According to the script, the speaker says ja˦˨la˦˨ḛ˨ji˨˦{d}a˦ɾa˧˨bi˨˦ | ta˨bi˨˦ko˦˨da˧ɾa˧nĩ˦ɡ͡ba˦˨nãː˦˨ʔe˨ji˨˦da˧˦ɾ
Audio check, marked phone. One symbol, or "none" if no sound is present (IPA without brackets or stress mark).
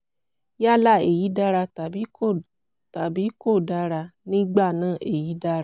d